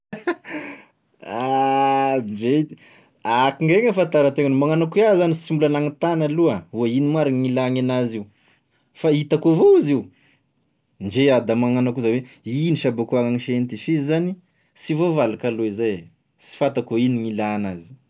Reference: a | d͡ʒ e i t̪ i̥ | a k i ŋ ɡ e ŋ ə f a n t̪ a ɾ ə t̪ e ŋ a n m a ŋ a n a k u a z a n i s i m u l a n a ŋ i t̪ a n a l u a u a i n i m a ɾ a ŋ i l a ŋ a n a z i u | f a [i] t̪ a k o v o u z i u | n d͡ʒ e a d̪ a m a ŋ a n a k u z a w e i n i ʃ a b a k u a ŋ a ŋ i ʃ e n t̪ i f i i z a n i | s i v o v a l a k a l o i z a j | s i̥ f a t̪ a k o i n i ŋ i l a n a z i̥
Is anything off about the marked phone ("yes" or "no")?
no